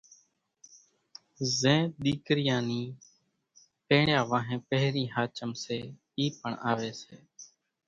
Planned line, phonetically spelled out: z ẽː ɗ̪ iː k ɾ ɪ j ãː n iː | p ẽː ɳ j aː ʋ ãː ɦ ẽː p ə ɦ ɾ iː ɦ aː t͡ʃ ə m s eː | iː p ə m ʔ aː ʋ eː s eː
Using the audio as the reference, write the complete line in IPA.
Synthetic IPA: z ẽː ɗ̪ iː k ɾ ɪ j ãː n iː | p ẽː ɳ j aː ʋ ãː ɦ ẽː p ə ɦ ɾ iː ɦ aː t͡ʃ ə m s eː | iː p ə ɳ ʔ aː ʋ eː s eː